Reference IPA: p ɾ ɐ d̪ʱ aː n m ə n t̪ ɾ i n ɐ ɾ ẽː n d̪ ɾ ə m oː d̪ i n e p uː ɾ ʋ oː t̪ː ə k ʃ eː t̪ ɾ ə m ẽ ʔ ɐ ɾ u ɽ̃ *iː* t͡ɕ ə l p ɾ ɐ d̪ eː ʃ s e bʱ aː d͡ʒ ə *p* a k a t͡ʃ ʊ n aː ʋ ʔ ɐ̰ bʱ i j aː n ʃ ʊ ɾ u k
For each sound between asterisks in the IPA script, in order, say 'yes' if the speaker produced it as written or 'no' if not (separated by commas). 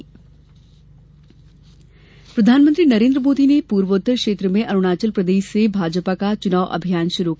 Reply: no, yes